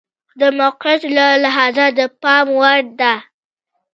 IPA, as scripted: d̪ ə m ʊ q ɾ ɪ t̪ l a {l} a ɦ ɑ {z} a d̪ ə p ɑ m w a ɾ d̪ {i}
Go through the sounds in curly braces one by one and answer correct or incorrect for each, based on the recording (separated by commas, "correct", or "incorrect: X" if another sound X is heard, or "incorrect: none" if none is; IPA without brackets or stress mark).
correct, correct, incorrect: a